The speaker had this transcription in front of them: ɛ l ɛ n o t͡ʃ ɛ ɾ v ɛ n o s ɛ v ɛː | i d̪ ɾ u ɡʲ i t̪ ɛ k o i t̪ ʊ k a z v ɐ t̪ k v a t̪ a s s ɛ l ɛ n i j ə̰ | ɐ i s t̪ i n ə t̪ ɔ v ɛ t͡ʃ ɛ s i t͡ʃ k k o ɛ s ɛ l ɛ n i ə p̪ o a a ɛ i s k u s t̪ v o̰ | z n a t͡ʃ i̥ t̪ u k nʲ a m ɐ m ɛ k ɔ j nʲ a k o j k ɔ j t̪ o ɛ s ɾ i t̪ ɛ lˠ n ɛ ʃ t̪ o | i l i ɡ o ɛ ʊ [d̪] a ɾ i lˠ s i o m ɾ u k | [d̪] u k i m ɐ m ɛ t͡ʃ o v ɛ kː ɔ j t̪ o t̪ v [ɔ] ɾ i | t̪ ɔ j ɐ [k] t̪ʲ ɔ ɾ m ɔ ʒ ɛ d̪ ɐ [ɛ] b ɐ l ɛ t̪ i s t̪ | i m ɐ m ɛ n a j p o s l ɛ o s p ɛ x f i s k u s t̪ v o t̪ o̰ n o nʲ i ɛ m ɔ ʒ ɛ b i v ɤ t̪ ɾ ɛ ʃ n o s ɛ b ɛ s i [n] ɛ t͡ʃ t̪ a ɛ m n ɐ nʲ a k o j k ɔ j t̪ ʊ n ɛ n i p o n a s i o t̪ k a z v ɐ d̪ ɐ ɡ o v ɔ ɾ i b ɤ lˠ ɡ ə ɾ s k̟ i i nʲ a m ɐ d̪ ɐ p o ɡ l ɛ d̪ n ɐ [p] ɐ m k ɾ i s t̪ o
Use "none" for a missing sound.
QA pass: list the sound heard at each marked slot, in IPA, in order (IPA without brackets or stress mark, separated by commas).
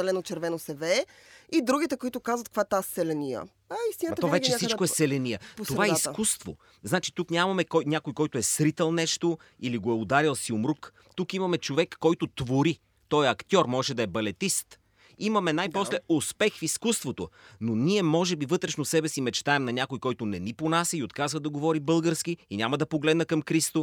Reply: d̪, t̪, o, k, ɛ, m, k